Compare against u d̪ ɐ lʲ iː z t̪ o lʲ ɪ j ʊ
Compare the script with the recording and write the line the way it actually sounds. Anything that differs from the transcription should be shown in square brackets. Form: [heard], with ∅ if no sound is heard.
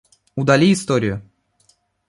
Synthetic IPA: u d̪ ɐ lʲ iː [s] t̪ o [ɾʲ] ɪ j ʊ